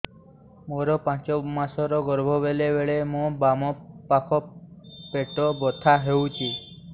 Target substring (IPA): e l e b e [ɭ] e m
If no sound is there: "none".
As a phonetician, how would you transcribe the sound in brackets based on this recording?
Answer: ɭ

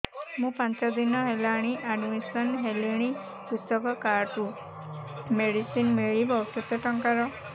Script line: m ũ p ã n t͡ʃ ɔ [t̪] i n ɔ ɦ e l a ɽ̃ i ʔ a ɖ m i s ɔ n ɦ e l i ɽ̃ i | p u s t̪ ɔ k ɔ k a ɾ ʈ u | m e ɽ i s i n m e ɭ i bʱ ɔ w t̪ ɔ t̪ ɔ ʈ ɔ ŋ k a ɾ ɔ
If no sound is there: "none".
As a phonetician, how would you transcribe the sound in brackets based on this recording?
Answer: d̪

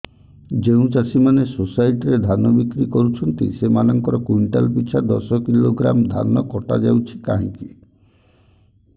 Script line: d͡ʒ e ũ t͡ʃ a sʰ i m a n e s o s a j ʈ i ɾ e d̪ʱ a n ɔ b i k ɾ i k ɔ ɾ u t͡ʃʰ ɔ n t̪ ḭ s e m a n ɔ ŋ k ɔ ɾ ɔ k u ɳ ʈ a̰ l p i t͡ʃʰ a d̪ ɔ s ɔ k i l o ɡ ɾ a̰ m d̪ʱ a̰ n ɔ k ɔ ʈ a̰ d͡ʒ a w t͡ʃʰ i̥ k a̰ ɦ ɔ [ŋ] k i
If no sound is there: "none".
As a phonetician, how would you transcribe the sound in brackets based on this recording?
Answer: ŋ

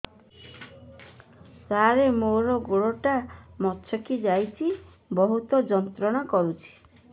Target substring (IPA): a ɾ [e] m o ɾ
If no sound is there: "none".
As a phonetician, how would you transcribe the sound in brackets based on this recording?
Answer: e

